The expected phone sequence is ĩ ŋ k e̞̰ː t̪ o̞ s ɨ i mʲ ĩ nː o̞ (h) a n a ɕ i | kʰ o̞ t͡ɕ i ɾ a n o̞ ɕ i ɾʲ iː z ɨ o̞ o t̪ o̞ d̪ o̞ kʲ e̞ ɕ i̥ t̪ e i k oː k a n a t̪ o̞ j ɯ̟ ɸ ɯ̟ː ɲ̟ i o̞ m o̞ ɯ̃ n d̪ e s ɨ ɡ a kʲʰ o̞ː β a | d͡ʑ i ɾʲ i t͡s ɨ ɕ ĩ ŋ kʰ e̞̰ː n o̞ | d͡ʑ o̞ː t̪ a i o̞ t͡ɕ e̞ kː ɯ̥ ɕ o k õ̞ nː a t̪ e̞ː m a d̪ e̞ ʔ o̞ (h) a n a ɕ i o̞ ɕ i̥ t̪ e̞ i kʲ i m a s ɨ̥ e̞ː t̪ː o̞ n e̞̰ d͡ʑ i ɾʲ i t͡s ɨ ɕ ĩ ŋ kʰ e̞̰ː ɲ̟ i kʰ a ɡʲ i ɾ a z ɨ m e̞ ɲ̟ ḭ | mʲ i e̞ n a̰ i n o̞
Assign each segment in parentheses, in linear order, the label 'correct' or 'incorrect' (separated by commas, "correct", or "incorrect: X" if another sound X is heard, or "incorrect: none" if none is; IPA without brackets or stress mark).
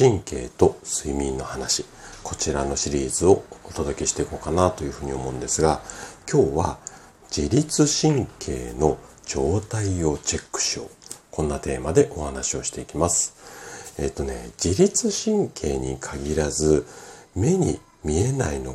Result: correct, correct